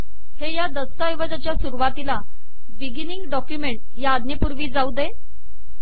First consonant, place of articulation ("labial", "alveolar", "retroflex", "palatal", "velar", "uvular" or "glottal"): glottal